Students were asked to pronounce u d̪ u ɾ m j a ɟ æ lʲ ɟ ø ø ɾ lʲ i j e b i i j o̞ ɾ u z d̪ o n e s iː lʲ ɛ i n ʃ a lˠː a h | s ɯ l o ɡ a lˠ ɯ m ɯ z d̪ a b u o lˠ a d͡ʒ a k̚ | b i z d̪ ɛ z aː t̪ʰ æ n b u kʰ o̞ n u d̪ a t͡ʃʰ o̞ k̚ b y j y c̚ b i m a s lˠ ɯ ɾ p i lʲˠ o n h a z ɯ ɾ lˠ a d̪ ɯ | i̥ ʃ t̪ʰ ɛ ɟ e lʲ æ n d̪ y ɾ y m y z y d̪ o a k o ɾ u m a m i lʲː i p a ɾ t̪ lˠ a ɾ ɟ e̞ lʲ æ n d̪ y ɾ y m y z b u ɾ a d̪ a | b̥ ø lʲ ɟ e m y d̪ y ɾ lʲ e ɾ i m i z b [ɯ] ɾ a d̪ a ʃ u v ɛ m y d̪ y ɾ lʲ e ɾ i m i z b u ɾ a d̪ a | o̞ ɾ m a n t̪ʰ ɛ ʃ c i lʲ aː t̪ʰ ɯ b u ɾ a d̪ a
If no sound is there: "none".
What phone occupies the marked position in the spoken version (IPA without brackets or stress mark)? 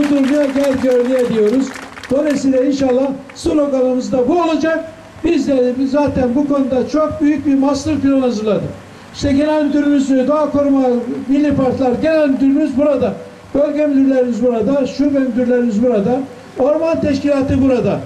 u